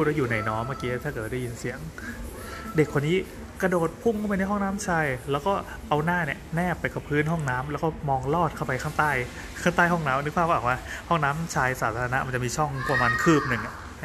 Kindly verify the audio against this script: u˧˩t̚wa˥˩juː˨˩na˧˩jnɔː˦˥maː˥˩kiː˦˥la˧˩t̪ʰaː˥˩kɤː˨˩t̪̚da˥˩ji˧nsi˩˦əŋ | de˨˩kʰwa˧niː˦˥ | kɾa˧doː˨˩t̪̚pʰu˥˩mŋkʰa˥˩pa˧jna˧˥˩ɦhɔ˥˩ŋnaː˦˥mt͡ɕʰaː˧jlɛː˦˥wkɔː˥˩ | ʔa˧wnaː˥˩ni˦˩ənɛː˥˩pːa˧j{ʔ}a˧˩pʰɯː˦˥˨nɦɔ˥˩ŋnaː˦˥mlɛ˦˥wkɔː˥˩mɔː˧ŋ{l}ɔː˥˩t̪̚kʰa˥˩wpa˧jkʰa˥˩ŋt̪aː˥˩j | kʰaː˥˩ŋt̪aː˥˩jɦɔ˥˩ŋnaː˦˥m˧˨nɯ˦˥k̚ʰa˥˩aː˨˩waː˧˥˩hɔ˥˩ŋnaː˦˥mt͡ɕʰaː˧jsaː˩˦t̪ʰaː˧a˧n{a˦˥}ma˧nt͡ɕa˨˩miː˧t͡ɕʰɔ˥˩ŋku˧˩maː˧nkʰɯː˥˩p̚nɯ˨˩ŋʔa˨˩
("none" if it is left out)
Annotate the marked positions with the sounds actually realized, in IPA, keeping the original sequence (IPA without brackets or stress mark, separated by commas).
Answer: k, l, a˦˥